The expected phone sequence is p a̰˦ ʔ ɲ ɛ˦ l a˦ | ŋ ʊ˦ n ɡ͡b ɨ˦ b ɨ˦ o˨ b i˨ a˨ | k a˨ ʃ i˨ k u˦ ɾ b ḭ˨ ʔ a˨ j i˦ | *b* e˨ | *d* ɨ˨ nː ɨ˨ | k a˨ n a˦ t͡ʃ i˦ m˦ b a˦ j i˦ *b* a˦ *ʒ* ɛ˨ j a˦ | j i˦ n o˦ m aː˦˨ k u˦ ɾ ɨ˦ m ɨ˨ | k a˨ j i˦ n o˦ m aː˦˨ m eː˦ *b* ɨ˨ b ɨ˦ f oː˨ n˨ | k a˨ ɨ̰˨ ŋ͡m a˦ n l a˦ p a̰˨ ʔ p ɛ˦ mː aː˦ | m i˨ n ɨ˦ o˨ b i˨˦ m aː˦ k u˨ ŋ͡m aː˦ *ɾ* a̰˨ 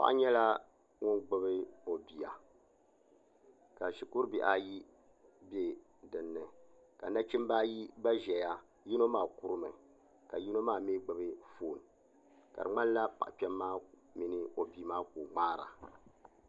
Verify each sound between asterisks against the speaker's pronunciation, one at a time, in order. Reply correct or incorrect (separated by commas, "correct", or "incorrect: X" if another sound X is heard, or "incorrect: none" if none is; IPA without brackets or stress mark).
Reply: correct, correct, correct, correct, incorrect: ɡ͡b, correct